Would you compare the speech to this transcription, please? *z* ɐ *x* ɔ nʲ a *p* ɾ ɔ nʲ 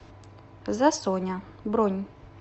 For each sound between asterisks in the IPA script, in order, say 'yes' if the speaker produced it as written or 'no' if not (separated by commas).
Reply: yes, no, no